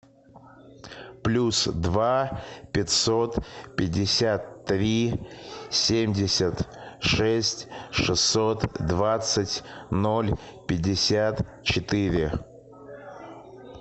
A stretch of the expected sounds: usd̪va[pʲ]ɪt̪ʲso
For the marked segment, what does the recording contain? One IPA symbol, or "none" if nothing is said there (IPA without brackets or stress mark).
pʲ